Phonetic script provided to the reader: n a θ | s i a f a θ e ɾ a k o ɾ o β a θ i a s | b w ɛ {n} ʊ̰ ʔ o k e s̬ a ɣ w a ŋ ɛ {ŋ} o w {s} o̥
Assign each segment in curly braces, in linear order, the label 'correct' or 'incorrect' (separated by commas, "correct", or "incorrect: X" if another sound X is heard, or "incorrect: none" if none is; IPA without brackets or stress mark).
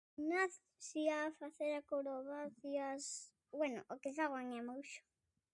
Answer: correct, incorrect: m, incorrect: ʃ